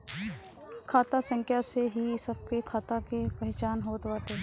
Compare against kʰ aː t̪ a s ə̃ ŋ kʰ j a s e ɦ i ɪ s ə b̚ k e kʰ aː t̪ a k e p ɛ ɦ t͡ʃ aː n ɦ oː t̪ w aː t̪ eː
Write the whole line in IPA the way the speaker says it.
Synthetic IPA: kʰ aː t̪ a s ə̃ ŋ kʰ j a s e ɦ i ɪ s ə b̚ k e kʰ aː t̪ a k e p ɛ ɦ t͡ʃ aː n ɦ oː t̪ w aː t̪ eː